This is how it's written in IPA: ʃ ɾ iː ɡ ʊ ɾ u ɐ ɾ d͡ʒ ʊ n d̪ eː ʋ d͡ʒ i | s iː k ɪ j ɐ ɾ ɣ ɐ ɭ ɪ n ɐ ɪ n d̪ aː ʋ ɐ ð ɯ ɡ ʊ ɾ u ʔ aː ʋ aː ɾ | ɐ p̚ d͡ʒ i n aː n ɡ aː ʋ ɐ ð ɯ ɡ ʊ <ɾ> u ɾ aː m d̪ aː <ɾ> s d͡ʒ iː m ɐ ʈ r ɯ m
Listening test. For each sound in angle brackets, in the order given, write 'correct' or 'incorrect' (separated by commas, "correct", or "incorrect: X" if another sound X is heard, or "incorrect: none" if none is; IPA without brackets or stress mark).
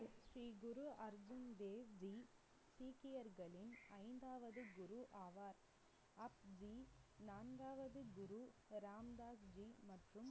correct, incorrect: none